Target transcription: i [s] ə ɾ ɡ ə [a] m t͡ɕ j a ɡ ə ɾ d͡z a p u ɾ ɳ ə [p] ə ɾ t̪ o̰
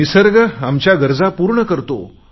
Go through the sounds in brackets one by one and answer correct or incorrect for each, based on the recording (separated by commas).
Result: correct, correct, incorrect